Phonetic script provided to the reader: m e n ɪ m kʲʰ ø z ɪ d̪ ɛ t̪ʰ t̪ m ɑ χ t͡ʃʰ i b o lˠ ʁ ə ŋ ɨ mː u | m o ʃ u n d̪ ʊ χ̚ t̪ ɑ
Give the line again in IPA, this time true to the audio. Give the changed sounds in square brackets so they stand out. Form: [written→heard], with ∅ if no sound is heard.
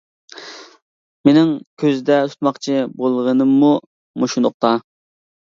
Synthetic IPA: m e n ɪ [m→ŋ] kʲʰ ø z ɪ d̪ ɛ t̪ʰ t̪ m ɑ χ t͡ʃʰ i b o lˠ ʁ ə [ŋ→n] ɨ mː u | m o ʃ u n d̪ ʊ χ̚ t̪ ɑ